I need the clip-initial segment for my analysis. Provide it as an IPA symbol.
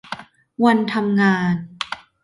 w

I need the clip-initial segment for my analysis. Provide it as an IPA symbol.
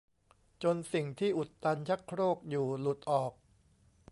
t͡ɕ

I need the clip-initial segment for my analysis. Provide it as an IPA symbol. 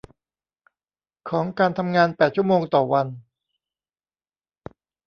kʰ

